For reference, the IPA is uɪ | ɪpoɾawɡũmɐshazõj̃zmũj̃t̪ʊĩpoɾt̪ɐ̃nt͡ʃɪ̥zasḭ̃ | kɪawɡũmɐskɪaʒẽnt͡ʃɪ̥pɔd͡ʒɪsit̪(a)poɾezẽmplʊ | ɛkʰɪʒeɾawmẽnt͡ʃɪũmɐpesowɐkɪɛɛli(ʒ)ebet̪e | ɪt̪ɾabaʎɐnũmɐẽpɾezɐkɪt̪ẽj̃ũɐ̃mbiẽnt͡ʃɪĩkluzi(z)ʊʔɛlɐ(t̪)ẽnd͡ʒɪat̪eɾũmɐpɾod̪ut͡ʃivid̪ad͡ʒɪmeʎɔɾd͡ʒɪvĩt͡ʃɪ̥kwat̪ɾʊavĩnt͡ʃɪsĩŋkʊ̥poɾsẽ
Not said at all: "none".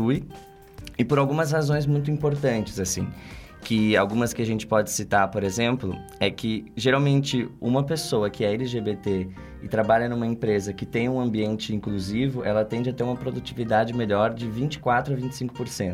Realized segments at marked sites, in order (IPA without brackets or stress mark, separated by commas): a, ʒ, v, t̪